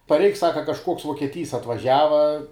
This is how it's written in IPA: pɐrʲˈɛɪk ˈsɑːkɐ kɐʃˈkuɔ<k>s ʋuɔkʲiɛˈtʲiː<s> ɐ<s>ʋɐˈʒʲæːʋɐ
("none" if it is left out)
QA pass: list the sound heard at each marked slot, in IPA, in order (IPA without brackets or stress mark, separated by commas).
k, s, t